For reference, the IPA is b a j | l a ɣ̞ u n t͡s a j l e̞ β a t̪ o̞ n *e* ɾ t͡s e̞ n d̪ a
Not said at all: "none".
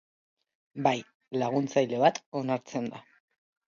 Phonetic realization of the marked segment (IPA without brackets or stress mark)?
a